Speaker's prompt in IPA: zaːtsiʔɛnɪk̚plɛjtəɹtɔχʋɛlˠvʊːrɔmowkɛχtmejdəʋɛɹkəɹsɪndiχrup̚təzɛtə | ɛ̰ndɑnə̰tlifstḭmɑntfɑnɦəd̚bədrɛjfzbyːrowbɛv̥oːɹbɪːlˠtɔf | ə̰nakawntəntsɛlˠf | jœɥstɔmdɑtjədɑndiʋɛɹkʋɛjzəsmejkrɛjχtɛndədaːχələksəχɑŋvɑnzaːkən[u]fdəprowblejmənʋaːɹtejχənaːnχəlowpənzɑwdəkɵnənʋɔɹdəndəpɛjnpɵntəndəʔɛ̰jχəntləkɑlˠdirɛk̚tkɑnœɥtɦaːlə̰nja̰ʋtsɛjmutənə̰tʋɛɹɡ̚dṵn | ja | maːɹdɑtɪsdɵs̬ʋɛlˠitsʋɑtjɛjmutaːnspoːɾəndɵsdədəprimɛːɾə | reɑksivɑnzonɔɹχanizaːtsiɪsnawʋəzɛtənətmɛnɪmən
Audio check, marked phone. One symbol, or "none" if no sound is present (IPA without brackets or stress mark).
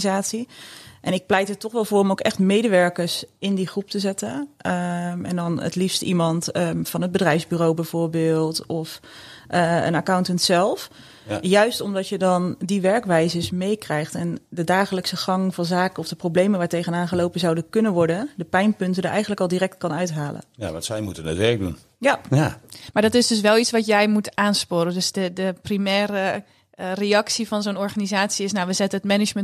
ɔ